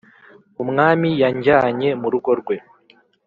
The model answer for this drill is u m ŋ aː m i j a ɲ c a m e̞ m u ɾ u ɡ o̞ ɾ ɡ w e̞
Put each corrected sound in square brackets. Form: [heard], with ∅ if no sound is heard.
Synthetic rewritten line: u m ŋ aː m i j a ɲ [ɟ] a [ɲ] e̞ m u ɾ u ɡ o̞ ɾ ɡ w e̞